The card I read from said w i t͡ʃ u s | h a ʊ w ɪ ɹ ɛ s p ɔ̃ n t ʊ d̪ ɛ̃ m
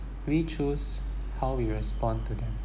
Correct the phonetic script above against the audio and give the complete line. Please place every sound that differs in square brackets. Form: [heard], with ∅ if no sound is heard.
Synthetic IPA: w i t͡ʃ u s | h a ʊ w [i] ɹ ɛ s p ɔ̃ n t [u] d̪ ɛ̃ m